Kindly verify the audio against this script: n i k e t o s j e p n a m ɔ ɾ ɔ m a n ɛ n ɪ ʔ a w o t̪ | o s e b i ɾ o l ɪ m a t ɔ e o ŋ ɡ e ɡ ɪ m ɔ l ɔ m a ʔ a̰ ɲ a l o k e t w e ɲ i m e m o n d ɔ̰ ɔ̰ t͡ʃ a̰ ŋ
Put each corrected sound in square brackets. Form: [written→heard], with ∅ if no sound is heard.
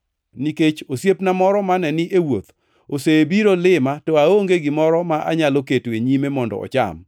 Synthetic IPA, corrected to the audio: n i k e [t→t͡ʃ] o s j e p n a m ɔ ɾ ɔ m a n ɛ n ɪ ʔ [a→e] w o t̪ | o s e b i ɾ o l ɪ m a t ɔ [e→a] o ŋ ɡ e ɡ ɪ m ɔ [l→ɾ] ɔ m a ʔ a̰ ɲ a l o k e t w e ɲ i m e m [o→ɔ] n d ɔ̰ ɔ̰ t͡ʃ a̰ [ŋ→m]